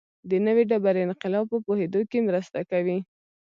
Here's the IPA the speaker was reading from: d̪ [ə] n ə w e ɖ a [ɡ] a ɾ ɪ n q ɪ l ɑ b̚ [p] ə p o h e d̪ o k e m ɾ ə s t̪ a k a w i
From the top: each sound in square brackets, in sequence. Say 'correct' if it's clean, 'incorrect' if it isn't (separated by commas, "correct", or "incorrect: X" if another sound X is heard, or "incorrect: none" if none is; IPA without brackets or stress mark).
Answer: correct, incorrect: b, correct